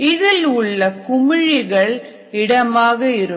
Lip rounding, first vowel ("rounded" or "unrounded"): unrounded